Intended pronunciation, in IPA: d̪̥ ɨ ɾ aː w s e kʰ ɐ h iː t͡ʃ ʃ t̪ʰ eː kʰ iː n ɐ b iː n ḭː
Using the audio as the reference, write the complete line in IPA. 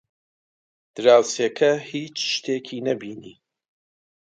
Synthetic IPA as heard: d̪̥ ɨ ɾ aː w s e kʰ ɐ h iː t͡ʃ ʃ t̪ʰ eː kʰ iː n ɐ b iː n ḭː